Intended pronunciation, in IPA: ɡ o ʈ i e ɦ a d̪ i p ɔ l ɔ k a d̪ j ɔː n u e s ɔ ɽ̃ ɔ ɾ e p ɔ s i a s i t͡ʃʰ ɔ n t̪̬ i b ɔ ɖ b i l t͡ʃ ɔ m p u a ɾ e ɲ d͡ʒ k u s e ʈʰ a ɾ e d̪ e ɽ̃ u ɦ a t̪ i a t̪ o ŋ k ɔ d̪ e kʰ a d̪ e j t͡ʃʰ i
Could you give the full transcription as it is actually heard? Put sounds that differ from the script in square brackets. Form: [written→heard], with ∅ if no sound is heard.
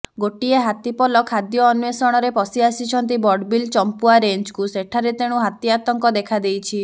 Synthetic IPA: ɡ o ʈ i e ɦ a [d̪→t̪] i p ɔ l ɔ [k→kʰ] a d̪ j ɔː n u e s ɔ ɽ̃ ɔ ɾ e p ɔ s i a s i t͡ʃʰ ɔ n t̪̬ i b ɔ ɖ b i l t͡ʃ ɔ m p u a ɾ e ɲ d͡ʒ k u s e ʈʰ a ɾ e [d̪→t̪] e ɽ̃ u ɦ a t̪ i a t̪ [o→ɔ] ŋ k ɔ d̪ e kʰ a d̪ e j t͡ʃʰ i